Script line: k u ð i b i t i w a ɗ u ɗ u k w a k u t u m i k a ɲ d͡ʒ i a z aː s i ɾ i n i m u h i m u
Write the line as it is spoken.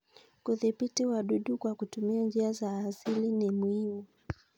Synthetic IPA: k u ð i p i t i w a ɗ u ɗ u k w a k u t u m i a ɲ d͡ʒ i a z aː s i l i n i m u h i m u

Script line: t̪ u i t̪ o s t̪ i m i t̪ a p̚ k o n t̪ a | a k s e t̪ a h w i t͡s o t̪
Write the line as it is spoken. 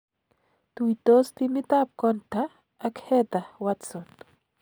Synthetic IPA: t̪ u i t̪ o s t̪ i m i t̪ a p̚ k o n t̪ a | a k h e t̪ a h w a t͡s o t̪

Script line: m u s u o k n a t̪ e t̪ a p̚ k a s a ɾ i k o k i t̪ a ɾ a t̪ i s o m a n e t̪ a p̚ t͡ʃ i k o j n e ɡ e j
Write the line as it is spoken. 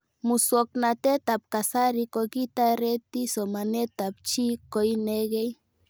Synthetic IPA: m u s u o k n a t̪ e t̪ a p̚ k a s a ɾ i k o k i t̪ a ɾ e t̪ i s o m a n e t̪ a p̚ t͡ʃ i k o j n e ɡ e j

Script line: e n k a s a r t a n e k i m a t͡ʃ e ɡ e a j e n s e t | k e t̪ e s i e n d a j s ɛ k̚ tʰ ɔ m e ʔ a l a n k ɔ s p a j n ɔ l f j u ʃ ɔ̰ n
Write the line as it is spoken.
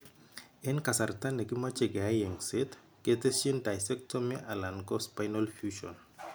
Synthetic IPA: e n k a s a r t a n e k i m a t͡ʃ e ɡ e a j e ŋ s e t | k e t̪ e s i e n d a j s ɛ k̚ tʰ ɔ m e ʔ a l a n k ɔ s p a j n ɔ l f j u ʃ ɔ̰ n

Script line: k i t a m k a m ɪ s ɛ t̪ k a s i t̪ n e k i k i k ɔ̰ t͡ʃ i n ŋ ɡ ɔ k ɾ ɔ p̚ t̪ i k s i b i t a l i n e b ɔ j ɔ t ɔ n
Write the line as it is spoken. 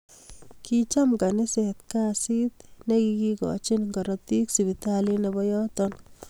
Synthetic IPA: k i t͡ʃ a m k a n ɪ s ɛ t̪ k a s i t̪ n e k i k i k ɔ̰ t͡ʃ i n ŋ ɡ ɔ ɾ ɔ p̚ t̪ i k s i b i t a l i n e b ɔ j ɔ t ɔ n

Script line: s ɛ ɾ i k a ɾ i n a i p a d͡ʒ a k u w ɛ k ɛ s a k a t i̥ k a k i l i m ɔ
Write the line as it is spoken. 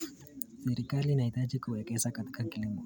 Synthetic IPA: s ɛ ɾ i k a l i n a i t a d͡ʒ i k u w ɛ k ɛ s a k a t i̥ k a k i l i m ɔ

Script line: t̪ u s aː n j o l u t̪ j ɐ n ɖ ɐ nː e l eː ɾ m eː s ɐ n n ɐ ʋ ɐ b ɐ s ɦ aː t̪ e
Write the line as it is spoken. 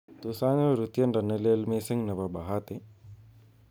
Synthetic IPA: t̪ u s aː n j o ɾ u t̪ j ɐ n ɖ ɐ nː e l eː l m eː s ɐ ŋ n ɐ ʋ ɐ b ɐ ɦ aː t̪ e

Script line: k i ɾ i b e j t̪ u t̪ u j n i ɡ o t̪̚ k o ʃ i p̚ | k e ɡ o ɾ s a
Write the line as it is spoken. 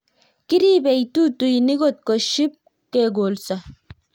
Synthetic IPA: k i ɾ i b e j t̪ u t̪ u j n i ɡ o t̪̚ k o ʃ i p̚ | k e ɡ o l s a

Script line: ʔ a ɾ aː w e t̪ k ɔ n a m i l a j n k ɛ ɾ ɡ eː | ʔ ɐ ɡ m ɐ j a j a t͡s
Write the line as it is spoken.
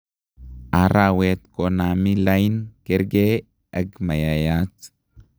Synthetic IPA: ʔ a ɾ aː w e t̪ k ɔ n a m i l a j n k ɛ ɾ ɡ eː | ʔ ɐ ɡ m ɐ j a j a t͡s

